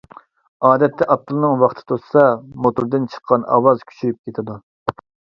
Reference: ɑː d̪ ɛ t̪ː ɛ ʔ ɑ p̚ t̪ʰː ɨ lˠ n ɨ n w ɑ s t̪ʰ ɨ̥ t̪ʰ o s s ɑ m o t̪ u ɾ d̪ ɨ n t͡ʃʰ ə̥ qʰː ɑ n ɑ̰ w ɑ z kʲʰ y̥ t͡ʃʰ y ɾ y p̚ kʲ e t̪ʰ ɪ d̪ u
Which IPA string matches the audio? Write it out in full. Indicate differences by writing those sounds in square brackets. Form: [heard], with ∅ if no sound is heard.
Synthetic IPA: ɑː d̪ ɛ t̪ː ɛ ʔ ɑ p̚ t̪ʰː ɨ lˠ n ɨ [ŋ] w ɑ [χ] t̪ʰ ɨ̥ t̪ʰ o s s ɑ m o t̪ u ɾ d̪ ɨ n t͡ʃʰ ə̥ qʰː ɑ n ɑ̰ w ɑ z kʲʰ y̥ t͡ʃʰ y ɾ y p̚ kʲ e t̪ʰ ɪ d̪ u